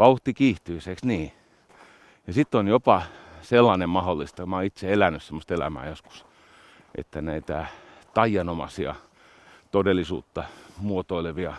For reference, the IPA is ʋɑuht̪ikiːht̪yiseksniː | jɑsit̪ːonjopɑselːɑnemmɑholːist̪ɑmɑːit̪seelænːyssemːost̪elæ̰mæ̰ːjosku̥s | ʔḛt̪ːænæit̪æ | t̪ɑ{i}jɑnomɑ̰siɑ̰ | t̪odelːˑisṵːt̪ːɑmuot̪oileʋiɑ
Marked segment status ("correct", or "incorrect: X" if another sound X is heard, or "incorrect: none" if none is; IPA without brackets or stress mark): correct